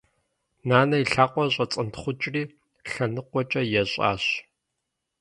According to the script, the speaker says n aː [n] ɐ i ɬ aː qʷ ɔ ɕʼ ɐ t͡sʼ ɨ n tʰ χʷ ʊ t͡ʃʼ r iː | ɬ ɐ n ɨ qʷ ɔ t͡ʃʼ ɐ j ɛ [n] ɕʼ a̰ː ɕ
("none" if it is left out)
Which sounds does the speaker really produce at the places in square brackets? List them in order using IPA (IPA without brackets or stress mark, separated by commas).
n, none